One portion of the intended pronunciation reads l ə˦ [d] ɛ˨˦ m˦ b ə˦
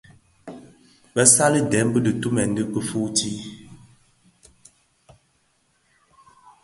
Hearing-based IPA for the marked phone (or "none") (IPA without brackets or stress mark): d